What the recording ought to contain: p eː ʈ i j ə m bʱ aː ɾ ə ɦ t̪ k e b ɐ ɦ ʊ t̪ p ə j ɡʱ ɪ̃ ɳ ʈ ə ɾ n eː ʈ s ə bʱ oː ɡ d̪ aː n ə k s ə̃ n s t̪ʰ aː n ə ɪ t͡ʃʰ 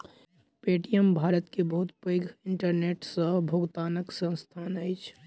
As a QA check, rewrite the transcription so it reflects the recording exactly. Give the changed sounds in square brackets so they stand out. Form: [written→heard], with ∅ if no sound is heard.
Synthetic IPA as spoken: p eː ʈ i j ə m bʱ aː ɾ ə [ɦ→∅] t̪ k e b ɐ ɦ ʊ t̪ p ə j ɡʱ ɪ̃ ɳ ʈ ə ɾ n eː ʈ s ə bʱ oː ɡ [d̪→t̪] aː n ə k s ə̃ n s t̪ʰ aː n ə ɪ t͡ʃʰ